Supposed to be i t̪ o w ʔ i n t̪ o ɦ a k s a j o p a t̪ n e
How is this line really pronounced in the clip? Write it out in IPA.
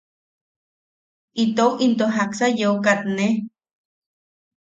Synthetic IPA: i t̪ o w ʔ i n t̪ o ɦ a k s a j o k a t̪ n e